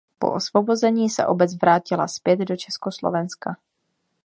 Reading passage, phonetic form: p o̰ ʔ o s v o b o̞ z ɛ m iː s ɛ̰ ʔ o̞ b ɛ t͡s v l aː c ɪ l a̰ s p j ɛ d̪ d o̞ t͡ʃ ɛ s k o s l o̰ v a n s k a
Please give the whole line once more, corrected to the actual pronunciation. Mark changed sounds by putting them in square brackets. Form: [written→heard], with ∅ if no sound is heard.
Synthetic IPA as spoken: p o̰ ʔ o s v o b o̞ z ɛ [m→ɲ] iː s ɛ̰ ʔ o̞ b ɛ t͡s v [l→ɾ] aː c ɪ l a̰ s p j ɛ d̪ d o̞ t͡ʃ ɛ s k o s l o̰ v [a→ɛ] n s k a